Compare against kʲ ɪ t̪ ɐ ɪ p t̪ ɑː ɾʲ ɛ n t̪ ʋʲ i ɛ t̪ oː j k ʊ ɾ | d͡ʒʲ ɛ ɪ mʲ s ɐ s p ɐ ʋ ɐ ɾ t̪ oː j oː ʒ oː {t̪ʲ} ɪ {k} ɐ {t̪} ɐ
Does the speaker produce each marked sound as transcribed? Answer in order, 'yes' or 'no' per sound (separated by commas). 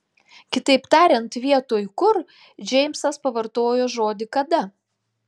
no, yes, no